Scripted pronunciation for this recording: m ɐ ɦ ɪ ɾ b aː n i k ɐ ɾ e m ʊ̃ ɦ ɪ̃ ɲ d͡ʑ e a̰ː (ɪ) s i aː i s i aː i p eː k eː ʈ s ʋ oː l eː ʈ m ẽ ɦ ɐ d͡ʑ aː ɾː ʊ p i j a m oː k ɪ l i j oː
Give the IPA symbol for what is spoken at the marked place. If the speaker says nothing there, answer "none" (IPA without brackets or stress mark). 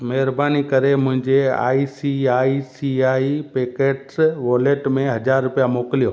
i